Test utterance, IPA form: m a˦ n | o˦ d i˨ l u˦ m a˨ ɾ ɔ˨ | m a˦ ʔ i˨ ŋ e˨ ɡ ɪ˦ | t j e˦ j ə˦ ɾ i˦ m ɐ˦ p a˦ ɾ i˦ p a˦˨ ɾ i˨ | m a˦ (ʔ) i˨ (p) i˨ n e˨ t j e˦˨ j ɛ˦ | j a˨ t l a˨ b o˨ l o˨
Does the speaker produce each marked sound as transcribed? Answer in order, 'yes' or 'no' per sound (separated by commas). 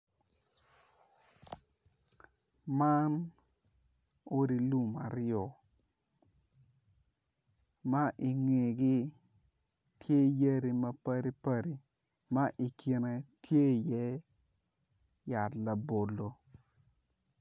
yes, no